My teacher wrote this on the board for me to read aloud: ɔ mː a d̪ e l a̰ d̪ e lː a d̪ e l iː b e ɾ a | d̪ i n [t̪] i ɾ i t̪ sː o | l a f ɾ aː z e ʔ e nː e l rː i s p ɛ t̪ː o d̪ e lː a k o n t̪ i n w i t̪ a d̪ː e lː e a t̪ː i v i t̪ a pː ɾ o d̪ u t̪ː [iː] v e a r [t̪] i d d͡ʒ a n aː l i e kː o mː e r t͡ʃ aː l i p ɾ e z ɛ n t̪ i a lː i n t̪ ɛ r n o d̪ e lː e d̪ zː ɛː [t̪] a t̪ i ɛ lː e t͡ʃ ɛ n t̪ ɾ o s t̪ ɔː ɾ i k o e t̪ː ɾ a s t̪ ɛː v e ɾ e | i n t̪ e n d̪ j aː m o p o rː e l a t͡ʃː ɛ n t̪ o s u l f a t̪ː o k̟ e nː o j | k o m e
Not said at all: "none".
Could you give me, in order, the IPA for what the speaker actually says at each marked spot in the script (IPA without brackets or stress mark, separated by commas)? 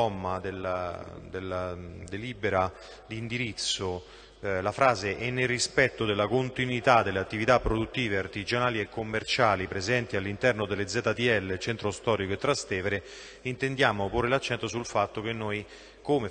d̪, iː, t̪, t̪